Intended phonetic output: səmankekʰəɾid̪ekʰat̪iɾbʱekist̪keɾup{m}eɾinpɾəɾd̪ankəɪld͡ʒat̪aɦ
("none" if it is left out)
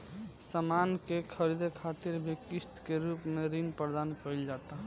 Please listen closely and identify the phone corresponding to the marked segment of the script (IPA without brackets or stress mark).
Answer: m